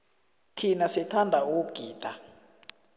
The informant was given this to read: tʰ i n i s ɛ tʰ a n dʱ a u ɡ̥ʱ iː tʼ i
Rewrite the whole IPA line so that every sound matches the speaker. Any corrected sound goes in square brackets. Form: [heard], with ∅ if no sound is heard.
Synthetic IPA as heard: tʰ i n [a] s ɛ tʰ a n dʱ a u ɡ̥ʱ iː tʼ [a]